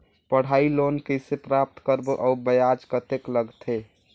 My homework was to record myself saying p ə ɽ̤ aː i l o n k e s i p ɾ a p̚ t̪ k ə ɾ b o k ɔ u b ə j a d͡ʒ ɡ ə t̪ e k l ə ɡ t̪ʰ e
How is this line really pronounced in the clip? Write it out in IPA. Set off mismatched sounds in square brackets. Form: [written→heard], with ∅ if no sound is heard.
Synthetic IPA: p ə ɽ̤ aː i l o n k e s [i→e] p ɾ a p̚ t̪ k ə ɾ b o [k→ʔ] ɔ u b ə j a d͡ʒ [ɡ→k] ə t̪ e k l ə ɡ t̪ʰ e